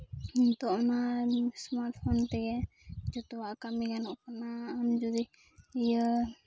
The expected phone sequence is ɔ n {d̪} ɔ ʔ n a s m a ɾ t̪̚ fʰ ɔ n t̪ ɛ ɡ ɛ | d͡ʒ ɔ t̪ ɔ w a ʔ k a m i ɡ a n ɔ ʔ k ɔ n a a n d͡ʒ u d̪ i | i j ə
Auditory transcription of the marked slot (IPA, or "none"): t̪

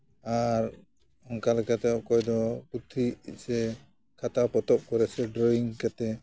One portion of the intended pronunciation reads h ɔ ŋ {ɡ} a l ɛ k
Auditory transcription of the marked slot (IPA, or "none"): k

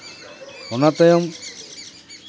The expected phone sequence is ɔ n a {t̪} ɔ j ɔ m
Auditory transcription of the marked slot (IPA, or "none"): t̪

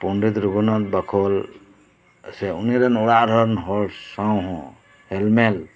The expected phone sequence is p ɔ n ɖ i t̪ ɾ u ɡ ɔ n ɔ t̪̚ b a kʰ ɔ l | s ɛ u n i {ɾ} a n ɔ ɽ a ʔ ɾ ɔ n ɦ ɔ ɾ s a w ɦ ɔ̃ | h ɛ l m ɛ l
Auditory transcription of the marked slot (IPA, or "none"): ɾ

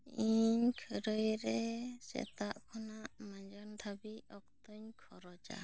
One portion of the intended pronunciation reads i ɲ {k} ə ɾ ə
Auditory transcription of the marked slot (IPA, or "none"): kʰ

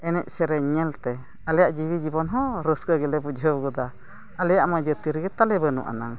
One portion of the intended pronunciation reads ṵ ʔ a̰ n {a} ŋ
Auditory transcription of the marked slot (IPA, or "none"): a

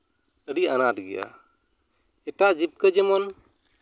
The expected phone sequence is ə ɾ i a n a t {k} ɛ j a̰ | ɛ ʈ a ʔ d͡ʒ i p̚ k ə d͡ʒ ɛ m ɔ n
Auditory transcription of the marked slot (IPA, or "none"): ɡ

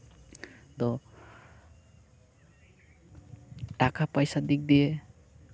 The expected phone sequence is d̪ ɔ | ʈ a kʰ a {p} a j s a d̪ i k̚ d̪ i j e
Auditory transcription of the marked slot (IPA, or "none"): p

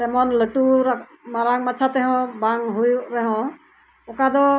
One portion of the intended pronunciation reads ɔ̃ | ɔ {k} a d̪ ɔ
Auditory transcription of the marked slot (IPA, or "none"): k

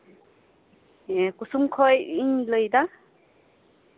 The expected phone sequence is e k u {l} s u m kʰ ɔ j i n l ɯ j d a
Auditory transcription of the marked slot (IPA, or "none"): none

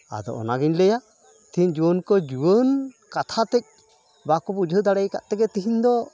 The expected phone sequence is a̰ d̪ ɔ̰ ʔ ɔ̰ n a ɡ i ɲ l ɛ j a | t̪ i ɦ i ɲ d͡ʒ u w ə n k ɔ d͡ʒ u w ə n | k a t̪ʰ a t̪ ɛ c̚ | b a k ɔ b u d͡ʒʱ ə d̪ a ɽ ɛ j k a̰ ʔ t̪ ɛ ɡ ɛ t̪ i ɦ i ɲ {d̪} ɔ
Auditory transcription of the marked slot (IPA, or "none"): d̪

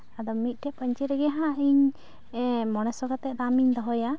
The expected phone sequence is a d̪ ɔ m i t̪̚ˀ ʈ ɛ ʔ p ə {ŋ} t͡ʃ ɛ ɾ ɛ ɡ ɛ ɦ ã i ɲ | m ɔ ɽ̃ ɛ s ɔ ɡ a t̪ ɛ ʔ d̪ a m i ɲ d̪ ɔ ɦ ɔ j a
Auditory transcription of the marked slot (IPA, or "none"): ɲ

